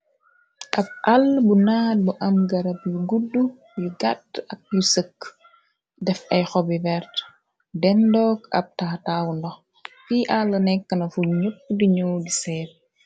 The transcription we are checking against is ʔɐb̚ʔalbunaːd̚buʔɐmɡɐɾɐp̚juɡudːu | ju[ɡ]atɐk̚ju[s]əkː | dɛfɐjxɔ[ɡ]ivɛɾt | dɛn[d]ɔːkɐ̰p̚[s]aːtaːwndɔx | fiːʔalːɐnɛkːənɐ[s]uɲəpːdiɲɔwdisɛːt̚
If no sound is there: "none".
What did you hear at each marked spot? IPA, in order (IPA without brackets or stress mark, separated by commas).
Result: ɡ, s, b, d, t, f